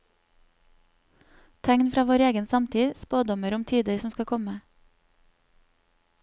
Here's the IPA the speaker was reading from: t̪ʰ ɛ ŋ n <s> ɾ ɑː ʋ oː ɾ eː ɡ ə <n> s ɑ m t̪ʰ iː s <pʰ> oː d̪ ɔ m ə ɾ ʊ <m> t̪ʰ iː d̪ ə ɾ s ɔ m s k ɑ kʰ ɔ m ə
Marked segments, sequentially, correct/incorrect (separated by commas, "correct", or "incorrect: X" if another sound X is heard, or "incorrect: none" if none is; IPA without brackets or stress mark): incorrect: f, correct, incorrect: p, correct